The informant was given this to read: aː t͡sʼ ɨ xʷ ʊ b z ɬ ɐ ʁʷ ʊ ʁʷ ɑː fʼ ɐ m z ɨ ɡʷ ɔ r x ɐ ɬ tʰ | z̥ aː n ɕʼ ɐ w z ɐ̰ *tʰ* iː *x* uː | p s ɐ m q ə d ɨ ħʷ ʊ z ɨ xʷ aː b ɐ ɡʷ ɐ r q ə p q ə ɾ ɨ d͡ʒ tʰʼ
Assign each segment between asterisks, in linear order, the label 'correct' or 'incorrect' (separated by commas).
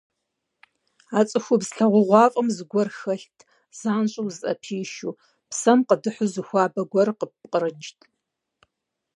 incorrect, incorrect